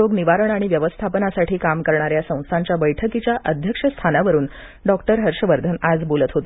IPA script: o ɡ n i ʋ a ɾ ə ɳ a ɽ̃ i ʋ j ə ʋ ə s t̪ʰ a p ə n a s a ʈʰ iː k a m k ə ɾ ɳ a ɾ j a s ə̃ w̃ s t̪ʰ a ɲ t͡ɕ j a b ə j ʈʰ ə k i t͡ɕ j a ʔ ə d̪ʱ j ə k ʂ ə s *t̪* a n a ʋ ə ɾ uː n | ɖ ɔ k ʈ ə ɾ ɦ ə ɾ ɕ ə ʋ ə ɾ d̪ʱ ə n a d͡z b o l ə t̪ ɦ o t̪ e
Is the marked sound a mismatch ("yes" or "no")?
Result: yes